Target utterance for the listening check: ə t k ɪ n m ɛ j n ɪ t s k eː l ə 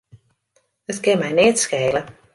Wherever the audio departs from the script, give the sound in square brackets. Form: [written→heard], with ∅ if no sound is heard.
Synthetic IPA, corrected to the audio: ə t k ɪ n m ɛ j n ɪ t s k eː l ə